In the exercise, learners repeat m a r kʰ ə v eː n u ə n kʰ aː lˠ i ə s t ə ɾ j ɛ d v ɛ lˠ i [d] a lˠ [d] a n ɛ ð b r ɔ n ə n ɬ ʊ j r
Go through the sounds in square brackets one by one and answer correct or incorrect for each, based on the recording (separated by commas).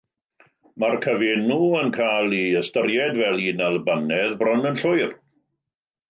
incorrect, incorrect